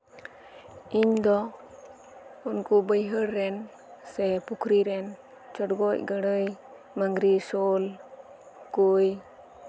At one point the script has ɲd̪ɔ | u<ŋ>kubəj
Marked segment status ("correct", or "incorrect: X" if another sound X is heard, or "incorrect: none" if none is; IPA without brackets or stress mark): incorrect: n